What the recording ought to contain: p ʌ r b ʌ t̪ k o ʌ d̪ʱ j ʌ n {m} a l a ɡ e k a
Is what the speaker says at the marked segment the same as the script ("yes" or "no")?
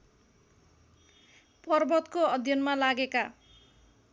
yes